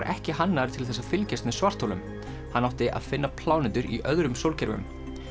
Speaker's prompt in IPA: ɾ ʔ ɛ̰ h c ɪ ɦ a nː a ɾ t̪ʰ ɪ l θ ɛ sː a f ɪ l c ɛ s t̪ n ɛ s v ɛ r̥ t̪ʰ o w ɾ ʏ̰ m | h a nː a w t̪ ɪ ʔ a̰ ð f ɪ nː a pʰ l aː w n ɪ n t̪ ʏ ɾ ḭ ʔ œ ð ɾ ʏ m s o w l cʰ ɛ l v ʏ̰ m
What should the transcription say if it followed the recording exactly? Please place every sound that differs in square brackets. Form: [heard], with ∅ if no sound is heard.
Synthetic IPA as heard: ɾ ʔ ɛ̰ h c ɪ ɦ a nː a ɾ t̪ʰ ɪ l θ ɛ sː a f ɪ l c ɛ s t̪ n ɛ s v [a] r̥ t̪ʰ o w [l] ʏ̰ m | h a nː a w t̪ ɪ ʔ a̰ ð f ɪ nː a pʰ l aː w n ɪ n t̪ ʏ ɾ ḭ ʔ œ ð ɾ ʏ m s o w l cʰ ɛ [ɾ] v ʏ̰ m